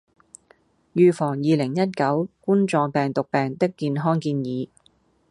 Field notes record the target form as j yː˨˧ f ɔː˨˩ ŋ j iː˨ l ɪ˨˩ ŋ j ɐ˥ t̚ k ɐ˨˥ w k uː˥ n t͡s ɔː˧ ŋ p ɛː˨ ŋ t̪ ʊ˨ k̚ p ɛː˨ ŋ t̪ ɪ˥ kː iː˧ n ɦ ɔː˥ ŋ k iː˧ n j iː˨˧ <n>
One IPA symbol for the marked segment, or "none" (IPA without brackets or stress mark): none